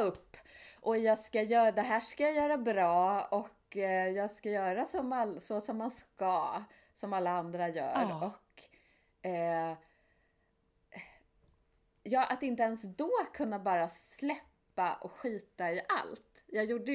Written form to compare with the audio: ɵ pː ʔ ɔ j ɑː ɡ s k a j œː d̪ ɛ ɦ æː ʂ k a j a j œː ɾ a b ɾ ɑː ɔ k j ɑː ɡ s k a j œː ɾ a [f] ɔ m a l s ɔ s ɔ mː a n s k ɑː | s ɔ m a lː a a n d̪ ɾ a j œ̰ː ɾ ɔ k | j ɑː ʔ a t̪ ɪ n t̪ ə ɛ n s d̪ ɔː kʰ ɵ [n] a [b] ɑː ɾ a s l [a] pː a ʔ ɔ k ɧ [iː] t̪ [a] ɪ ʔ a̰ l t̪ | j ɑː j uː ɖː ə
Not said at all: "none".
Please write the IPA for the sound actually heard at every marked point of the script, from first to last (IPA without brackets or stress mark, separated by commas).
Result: s, nː, b, ɛ, iː, a